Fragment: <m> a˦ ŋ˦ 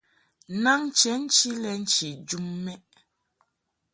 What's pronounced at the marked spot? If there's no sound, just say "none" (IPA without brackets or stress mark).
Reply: n